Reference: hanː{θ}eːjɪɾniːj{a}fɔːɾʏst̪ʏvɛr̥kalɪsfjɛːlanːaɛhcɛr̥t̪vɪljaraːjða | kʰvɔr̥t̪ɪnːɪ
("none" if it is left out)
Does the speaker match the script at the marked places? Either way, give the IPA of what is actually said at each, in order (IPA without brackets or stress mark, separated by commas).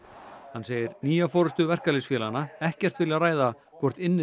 s, a